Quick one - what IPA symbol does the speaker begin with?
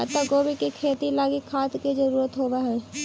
t̪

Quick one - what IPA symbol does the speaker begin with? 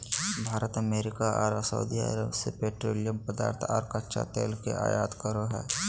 bʱ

